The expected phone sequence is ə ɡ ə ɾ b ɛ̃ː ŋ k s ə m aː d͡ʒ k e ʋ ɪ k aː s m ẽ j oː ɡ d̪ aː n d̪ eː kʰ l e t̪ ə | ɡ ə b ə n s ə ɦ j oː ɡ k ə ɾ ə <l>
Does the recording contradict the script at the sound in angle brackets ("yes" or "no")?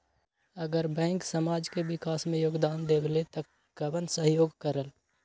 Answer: no